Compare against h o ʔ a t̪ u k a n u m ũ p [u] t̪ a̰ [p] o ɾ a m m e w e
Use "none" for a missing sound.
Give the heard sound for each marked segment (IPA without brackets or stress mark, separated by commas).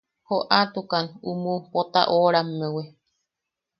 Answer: o, ʔ